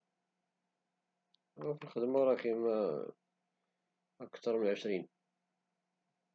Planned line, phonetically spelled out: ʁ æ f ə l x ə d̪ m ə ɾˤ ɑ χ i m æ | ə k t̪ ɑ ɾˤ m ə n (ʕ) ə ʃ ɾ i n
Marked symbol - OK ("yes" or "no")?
yes